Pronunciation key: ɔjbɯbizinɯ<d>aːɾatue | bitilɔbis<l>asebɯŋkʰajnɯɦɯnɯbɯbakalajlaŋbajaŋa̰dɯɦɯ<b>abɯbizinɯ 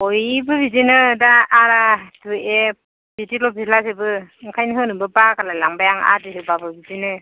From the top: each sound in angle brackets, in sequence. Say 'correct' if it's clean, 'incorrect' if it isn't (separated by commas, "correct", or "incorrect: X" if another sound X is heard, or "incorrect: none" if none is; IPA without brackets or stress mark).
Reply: correct, correct, correct